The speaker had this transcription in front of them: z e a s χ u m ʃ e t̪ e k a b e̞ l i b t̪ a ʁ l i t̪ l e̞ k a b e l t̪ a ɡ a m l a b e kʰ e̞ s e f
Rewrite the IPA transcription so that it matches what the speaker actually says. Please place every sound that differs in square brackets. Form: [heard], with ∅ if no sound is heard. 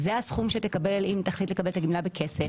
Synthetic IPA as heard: z e a s χ u m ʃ e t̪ e k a b e̞ l i [m] t̪ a [χ] l i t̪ l e̞ k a b e l t̪ a ɡ [i] m l a b e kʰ e̞ s e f